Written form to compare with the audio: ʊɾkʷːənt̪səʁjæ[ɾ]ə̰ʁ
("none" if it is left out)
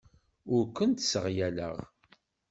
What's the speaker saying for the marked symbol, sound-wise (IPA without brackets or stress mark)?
l